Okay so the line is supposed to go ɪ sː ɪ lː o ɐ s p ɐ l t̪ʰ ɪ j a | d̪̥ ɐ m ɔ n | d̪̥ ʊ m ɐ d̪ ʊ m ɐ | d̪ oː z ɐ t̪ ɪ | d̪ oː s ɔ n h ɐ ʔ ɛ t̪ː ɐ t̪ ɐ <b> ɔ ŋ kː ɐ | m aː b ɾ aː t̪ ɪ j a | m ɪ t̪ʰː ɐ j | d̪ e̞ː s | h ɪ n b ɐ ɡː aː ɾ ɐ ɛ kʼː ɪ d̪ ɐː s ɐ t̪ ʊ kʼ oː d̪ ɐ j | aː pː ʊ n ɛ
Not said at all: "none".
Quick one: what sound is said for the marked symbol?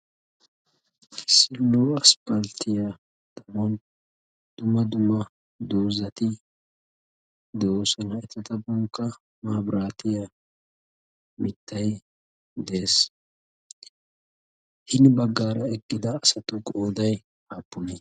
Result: b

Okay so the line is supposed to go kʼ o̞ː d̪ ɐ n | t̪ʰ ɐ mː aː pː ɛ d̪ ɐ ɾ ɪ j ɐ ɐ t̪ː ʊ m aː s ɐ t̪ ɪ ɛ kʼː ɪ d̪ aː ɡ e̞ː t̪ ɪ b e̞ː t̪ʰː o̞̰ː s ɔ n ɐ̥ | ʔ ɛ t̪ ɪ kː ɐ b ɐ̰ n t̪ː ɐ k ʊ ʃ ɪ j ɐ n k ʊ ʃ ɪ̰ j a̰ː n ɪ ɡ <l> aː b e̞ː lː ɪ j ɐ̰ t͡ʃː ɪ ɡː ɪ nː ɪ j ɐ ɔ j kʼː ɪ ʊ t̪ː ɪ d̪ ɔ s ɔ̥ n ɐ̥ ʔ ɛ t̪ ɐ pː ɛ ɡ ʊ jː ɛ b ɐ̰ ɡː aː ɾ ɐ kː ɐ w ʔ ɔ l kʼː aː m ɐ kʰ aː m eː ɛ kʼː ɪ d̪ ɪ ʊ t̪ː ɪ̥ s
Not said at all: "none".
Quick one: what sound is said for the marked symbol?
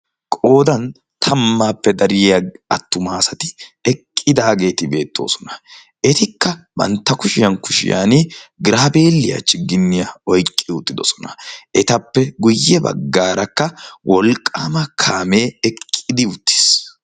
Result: ɾ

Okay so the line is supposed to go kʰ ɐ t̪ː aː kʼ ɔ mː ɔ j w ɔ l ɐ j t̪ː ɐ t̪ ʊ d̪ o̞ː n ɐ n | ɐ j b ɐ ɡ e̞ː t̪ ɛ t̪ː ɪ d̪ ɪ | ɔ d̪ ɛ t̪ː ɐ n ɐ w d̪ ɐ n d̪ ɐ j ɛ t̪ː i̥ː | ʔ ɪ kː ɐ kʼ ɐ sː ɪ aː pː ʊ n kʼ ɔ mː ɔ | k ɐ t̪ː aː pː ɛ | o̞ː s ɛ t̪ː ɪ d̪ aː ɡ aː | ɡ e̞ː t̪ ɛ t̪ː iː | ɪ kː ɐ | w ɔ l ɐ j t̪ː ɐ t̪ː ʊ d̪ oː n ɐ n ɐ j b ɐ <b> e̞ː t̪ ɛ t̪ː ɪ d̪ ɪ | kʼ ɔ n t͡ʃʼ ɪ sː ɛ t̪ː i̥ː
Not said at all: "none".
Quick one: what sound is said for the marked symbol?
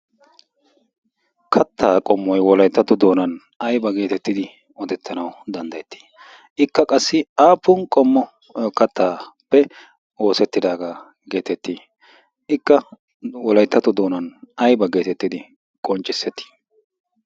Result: ɡ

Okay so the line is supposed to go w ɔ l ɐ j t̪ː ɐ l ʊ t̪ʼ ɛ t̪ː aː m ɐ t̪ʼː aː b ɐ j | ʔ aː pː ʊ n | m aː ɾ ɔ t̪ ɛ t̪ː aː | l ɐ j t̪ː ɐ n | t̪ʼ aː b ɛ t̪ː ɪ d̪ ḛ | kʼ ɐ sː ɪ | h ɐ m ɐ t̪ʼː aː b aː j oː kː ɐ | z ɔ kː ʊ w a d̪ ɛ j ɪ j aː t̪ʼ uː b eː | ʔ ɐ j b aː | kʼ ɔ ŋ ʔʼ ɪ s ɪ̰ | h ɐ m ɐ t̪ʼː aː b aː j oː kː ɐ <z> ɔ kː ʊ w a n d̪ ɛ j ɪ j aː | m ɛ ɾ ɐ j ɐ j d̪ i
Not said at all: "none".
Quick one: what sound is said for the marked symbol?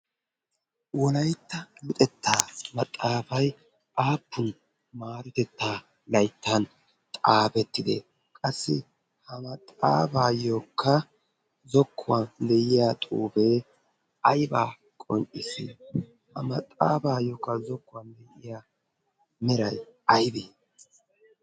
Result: z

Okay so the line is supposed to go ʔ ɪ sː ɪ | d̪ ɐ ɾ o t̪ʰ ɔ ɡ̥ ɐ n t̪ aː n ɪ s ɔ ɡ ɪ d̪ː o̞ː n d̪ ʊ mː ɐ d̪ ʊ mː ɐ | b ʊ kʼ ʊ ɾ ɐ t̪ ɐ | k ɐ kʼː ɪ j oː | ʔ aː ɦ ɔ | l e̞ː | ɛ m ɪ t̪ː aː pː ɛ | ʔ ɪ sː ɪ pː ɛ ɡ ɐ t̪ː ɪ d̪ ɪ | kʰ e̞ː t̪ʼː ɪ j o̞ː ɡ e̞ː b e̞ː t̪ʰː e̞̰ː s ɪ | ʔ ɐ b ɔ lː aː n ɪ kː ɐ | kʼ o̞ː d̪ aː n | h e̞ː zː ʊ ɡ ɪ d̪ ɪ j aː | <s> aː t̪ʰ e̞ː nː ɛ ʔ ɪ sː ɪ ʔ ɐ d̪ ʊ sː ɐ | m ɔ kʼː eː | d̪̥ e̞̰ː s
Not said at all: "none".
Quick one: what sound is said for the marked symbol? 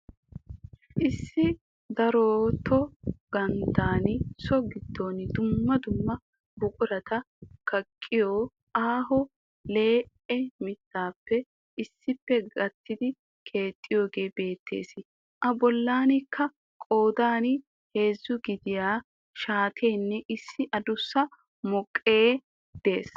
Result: ʃ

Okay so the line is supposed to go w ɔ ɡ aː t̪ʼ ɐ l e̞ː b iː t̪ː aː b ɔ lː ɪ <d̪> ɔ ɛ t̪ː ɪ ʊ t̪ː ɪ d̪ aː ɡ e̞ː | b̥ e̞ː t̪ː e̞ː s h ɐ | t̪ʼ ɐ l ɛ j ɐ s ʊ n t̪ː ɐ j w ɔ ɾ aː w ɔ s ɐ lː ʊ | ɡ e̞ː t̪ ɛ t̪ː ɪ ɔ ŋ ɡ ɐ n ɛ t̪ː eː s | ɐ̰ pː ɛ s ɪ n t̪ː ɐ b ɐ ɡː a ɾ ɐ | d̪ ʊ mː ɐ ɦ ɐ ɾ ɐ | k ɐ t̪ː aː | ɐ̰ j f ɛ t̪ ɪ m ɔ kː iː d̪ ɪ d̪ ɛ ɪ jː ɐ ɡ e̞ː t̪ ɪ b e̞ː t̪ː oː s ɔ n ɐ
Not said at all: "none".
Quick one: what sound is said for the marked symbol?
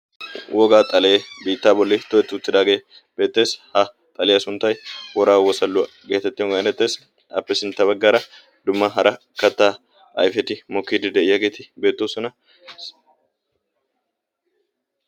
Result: t̪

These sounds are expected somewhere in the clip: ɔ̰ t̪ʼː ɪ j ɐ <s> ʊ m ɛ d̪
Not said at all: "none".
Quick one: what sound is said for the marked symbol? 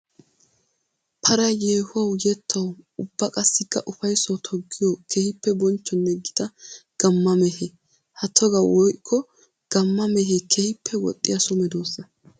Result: s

